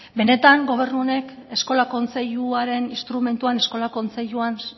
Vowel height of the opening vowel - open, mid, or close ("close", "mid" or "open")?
mid